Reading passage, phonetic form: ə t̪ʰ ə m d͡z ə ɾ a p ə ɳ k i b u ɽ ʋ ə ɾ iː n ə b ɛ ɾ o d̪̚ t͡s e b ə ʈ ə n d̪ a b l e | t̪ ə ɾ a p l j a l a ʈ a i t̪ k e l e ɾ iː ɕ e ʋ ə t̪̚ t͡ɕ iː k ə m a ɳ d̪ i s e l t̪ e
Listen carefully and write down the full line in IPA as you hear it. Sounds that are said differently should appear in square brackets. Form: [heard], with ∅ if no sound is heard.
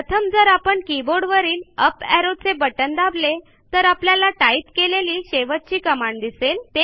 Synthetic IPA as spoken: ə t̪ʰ ə m d͡z ə ɾ a p ə ɳ k i b [o] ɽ ʋ ə ɾ iː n ə [p] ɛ ɾ o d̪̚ t͡s e b ə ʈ ə n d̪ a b l e | t̪ ə ɾ a p l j a l a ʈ a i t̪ k e l e [l] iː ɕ e ʋ ə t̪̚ t͡ɕ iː k ə m a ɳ d̪ i s e l t̪ e